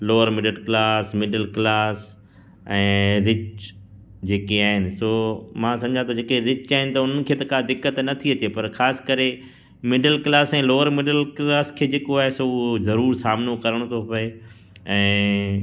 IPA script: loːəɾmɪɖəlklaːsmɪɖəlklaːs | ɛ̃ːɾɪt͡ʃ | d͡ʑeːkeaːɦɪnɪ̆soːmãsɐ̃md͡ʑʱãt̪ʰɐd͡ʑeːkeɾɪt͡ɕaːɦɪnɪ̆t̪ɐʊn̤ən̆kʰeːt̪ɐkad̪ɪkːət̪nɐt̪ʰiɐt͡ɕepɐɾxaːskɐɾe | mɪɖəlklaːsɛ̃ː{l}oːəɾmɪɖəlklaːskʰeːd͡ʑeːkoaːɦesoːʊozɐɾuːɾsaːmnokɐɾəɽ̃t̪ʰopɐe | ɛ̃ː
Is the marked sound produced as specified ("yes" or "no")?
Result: yes